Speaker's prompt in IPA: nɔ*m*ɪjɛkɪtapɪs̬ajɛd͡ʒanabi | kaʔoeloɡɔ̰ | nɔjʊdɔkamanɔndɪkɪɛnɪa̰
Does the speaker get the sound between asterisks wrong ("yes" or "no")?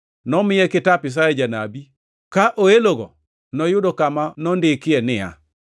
no